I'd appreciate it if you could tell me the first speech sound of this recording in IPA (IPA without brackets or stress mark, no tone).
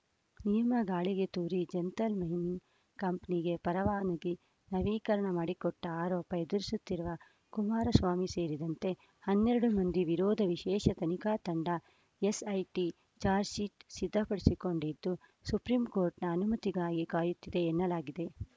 n